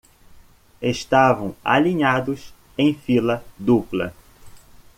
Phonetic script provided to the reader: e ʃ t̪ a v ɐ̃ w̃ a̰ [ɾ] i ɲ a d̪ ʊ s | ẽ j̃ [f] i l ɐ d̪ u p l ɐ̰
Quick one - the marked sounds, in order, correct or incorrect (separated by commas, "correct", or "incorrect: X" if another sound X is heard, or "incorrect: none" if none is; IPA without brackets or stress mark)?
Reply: incorrect: l, correct